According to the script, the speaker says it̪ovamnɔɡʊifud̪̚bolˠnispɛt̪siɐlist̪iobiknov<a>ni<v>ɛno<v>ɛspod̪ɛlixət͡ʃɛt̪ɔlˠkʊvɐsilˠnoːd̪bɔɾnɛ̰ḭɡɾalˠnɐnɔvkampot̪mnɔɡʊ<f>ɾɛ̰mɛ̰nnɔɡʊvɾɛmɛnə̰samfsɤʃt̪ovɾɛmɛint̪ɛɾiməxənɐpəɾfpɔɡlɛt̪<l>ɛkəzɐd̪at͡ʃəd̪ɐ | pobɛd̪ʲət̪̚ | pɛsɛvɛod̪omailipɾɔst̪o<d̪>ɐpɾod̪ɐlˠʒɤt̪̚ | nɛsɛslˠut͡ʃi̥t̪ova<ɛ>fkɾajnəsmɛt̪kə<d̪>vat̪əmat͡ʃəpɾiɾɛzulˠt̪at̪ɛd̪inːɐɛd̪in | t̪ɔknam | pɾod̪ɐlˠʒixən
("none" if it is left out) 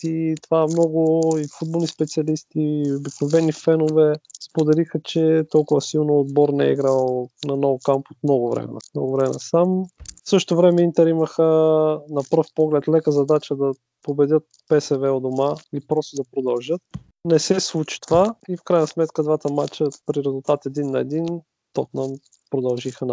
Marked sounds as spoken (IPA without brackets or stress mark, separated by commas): ɛ, f, v, v, l, d̪, i, d̪